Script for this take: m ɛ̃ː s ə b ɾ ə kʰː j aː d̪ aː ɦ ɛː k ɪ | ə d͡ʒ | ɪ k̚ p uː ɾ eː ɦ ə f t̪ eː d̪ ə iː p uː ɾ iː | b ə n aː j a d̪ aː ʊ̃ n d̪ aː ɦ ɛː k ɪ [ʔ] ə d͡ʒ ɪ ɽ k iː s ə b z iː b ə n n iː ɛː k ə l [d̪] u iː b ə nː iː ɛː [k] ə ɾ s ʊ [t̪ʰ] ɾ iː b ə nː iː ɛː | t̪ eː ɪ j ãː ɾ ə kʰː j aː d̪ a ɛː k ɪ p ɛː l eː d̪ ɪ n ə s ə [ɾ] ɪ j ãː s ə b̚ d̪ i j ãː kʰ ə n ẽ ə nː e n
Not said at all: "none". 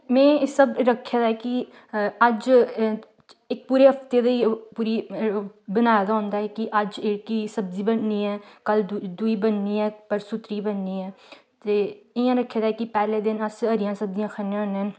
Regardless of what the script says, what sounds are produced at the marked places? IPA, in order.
ʔ, d̪, p, t̪, ɾ

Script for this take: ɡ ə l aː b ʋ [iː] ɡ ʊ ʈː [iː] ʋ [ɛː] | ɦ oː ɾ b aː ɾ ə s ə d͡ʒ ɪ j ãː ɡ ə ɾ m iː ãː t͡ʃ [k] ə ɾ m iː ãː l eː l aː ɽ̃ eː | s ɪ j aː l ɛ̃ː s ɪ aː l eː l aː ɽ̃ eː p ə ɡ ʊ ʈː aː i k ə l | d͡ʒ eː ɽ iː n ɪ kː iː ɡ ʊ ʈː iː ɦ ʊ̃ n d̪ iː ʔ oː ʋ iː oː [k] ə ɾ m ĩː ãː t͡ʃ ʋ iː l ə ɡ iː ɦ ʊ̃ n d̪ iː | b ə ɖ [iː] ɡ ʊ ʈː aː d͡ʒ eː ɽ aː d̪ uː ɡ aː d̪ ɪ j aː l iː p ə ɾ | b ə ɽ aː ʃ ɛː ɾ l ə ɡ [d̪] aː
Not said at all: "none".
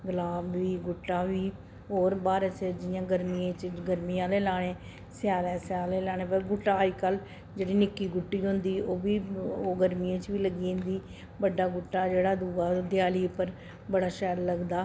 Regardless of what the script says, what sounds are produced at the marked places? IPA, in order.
iː, aː, iː, ɡ, ɡ, aː, d̪

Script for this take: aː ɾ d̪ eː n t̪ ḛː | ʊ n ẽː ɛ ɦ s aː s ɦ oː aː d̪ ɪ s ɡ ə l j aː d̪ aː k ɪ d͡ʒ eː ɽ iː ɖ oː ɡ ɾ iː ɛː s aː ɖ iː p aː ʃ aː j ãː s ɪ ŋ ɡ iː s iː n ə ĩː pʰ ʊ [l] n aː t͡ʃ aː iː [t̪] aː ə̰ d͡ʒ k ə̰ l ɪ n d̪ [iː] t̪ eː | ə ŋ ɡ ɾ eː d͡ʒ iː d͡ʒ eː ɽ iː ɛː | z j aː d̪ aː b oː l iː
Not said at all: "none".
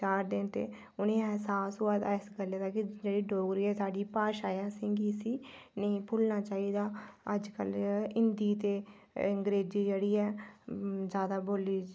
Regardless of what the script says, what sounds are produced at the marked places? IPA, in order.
l, d̪, iː

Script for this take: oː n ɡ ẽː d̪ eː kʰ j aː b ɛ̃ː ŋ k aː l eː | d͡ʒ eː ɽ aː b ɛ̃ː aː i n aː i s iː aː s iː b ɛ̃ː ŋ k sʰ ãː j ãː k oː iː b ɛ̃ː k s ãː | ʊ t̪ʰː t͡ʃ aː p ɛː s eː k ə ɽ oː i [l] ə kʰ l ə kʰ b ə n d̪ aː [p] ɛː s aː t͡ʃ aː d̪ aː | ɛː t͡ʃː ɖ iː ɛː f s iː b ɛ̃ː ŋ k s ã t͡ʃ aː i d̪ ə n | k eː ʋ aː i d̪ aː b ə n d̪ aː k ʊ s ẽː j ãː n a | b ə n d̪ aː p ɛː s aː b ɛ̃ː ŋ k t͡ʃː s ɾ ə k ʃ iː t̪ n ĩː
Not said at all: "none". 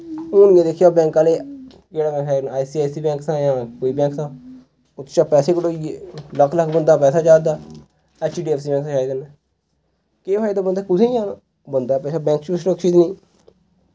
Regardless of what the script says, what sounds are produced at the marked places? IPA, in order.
l, p

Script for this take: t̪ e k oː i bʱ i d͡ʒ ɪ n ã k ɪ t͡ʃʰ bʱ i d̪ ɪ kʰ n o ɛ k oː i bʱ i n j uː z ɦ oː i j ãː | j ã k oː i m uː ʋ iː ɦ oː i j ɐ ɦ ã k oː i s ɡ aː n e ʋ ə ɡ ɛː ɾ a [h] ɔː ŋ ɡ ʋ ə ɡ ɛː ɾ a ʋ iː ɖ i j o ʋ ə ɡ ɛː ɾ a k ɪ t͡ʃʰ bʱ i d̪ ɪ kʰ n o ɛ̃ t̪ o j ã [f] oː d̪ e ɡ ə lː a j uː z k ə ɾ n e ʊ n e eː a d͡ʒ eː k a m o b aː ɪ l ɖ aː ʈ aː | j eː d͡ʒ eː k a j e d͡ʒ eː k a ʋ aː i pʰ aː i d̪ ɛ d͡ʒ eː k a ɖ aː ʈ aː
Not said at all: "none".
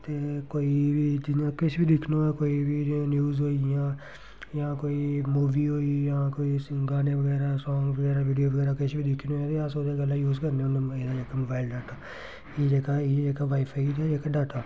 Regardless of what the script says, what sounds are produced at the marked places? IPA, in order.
s, s

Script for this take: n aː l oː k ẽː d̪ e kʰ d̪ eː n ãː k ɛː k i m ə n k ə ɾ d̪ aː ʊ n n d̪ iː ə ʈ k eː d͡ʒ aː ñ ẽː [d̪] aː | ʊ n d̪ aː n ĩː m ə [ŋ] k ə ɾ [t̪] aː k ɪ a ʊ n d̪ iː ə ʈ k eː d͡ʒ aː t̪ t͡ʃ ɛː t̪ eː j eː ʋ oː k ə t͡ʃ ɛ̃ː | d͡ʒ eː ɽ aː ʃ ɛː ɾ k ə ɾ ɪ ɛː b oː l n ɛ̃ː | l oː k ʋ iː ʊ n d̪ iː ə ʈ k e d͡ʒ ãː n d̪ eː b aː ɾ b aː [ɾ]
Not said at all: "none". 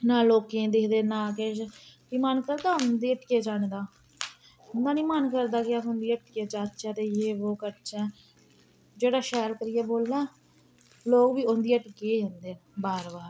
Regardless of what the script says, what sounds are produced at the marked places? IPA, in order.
d̪, n, d̪, ɾ

